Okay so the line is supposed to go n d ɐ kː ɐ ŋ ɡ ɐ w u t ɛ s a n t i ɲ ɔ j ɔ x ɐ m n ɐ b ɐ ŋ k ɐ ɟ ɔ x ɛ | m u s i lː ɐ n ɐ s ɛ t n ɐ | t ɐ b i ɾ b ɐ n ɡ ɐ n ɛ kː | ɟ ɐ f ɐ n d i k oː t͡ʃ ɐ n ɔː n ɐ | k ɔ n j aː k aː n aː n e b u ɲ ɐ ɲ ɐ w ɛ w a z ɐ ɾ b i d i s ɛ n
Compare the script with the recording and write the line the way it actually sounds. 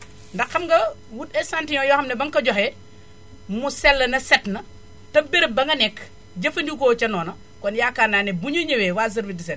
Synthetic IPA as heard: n d ɐ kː ɐ m ɡ ɐ w u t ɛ s a n t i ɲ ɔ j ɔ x ɐ m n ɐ b ɐ ŋ k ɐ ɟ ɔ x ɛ | m u s ɛ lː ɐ n ɐ s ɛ t n ɐ | t ɐ b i ɾ b ɐ ŋ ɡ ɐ n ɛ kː | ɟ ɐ f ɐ n d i k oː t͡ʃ ɐ n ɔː n ɐ | k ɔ n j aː k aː n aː n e b u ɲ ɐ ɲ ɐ w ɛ w a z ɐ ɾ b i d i s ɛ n